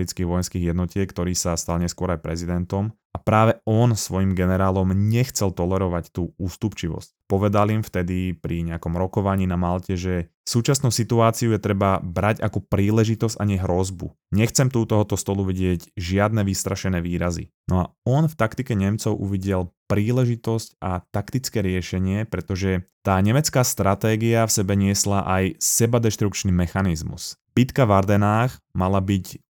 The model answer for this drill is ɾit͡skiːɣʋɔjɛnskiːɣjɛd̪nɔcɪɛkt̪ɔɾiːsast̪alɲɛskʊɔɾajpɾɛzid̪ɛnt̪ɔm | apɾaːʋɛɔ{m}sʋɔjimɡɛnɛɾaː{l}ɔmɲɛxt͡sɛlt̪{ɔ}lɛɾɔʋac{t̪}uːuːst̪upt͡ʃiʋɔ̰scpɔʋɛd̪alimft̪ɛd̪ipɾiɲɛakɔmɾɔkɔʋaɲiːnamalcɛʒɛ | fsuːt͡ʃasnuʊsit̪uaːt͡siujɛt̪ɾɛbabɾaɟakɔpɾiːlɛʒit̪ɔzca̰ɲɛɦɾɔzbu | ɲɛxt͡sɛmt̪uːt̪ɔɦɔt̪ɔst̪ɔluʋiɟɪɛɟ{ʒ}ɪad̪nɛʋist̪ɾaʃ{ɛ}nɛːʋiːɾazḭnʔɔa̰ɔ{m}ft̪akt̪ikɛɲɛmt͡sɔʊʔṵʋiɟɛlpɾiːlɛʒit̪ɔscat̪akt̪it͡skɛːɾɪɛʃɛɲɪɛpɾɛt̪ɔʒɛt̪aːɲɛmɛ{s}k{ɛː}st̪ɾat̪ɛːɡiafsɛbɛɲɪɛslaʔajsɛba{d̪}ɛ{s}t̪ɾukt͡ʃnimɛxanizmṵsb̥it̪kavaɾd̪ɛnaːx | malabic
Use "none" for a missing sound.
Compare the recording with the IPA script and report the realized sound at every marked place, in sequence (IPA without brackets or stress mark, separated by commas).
n, l, ɔ, t̪, ʒ, ɛ, n, t͡s, aː, d̪, ʃ